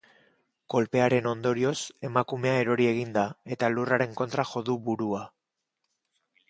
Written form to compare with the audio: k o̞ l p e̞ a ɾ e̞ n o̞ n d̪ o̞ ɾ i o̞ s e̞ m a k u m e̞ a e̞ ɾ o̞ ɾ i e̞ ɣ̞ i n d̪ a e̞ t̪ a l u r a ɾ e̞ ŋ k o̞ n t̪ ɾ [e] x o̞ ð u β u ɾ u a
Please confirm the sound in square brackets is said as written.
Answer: no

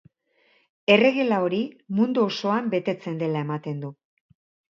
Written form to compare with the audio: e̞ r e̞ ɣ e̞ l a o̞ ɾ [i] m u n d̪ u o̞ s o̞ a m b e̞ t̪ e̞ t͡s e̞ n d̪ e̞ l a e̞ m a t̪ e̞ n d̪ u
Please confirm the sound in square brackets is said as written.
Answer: yes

